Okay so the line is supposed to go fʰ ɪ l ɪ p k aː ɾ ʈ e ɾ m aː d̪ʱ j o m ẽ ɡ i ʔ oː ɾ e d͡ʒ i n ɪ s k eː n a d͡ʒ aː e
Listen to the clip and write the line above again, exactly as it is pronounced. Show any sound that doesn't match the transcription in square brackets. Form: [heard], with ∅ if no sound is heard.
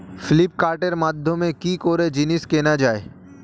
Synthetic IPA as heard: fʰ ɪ l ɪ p k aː ɾ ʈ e ɾ m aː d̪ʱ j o m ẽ [k] i [k] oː ɾ e d͡ʒ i n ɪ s k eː n a d͡ʒ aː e